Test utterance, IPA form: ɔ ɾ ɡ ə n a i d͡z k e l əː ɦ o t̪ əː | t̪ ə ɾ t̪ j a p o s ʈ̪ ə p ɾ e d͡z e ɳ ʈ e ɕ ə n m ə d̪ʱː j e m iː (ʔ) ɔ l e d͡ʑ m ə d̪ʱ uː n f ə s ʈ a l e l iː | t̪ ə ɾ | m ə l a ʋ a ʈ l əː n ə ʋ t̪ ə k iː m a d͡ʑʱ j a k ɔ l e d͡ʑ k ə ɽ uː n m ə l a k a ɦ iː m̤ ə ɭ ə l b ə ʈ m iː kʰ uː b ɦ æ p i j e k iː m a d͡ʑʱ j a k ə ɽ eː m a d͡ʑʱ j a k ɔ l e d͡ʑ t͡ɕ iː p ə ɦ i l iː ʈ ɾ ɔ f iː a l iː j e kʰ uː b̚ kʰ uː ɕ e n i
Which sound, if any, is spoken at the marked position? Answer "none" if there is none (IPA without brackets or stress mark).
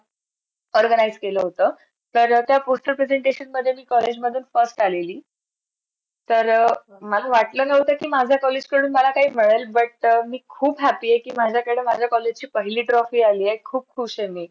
k